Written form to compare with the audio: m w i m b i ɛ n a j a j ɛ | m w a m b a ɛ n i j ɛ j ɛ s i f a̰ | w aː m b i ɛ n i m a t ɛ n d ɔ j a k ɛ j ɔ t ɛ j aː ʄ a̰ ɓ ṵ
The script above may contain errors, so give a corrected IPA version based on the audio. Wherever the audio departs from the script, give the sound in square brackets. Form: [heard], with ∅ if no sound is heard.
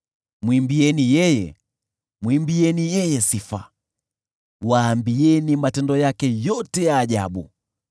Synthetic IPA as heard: m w i m b i ɛ n [i] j [ɛ] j ɛ | m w [i] m b [i] ɛ n i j ɛ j ɛ s i f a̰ | w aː m b i ɛ n i m a t ɛ n d ɔ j a k ɛ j ɔ t ɛ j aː ʄ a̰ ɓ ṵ